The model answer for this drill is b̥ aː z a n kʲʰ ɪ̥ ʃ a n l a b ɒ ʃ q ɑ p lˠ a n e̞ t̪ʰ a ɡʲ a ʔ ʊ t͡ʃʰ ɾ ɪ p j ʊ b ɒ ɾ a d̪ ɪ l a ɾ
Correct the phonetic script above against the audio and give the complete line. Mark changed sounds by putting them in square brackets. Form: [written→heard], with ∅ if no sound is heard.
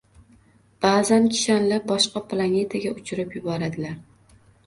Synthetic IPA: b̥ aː z a n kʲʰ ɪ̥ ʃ a n l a b ɒ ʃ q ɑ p lˠ a n e̞ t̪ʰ a ɡʲ a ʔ ʊ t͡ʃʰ ɾ ɪ p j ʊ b ɒ ɾ a d̪ ɪ l a ɾ